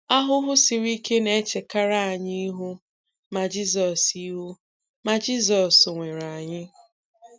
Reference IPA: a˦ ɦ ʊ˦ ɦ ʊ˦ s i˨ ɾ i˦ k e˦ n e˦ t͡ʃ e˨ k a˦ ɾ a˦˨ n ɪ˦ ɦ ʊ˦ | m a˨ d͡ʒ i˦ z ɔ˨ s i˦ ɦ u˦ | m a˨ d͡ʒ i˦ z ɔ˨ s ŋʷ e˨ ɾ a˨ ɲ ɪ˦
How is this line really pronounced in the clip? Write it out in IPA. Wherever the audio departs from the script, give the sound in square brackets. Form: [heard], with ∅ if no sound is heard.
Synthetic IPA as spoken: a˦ ɦ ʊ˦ ɦ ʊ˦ s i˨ ɾ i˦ k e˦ n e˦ t͡ʃ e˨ k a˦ ɾ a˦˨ [ɲ] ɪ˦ ɦ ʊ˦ | m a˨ d͡ʒ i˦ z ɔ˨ s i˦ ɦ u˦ | m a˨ d͡ʒ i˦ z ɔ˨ s ŋʷ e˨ ɾ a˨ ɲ ɪ˦